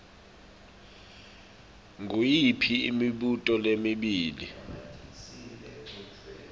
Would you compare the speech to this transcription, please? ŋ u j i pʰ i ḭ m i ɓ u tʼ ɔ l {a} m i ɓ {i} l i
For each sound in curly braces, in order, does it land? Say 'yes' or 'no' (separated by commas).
no, no